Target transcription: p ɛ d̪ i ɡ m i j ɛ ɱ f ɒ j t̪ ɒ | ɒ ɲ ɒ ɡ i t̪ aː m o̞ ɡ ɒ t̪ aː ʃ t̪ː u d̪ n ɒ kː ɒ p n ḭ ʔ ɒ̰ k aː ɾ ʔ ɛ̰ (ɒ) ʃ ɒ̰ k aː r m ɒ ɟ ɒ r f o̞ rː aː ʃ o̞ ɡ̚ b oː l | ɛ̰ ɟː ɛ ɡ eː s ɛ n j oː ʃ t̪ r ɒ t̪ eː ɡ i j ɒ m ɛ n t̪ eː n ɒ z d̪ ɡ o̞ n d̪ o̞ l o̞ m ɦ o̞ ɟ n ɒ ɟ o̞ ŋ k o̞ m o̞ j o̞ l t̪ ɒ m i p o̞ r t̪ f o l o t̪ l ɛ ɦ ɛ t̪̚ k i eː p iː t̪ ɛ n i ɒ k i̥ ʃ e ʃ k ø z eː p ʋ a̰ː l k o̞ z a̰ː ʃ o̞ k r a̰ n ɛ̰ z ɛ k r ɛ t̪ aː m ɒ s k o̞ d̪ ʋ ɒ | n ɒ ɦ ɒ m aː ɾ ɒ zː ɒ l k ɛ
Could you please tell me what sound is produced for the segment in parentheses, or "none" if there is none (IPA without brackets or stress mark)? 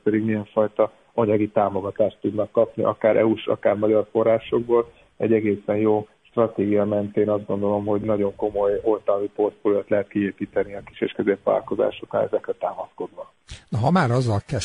u